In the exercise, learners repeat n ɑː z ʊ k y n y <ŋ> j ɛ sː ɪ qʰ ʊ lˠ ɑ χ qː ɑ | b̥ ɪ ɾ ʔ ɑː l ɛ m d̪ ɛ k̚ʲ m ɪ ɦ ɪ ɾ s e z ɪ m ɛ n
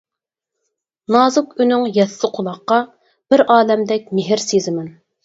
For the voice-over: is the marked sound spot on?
yes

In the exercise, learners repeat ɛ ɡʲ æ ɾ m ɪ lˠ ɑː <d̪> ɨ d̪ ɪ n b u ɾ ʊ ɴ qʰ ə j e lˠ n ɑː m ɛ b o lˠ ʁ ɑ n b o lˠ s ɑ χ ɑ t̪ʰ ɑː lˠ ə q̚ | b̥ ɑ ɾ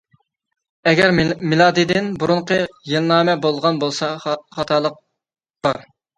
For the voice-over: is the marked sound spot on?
yes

